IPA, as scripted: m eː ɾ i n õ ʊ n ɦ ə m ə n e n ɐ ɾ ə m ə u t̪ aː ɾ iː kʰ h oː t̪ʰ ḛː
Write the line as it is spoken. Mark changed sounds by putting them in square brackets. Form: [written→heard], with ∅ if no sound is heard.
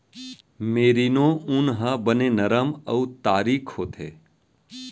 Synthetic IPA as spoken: m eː ɾ i n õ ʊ n ɦ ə [m→b] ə n e n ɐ ɾ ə m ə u t̪ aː ɾ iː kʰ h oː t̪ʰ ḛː